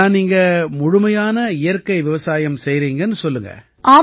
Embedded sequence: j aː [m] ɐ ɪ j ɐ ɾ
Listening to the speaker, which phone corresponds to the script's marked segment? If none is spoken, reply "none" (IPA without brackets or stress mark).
n